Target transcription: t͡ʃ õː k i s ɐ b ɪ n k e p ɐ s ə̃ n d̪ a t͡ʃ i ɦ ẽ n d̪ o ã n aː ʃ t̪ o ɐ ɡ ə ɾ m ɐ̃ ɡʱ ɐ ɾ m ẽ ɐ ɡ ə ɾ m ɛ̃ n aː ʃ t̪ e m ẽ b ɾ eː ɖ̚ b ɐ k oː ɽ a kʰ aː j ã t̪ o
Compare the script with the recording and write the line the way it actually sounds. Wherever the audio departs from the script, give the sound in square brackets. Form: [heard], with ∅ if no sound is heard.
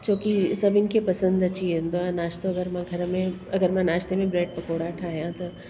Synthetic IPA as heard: t͡ʃ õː k i s ɐ b ɪ n k e p ɐ s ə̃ n d̪ [ɐ] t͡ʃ i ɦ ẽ n d̪ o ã n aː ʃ t̪ o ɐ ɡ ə ɾ m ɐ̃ ɡʱ ɐ ɾ m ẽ ɐ ɡ ə ɾ m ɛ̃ n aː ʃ t̪ e m ẽ b ɾ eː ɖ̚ [p] ɐ k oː ɽ a [ʈʰ] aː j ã t̪ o